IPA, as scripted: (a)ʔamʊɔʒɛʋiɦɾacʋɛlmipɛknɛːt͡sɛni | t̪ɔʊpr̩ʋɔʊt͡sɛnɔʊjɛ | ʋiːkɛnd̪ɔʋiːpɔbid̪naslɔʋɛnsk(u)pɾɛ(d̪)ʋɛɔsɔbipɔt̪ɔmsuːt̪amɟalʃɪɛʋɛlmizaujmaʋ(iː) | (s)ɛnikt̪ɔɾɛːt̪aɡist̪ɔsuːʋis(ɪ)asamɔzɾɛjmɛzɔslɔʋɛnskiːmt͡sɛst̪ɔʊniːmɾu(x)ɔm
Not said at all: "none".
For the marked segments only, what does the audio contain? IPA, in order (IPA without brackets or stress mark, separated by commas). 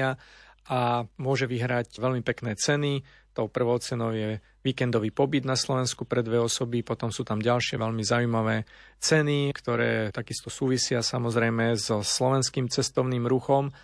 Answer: a, u, d̪, ɛː, t͡s, ɪ, x